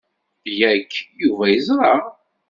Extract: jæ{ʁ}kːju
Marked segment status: incorrect: none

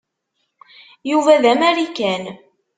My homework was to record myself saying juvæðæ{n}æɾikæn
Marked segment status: incorrect: m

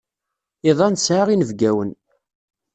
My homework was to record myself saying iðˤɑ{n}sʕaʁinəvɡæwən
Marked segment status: correct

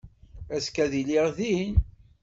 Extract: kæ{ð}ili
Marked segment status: correct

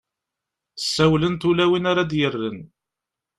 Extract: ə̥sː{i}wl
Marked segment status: incorrect: æ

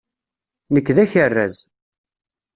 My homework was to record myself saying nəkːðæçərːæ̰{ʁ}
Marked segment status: incorrect: z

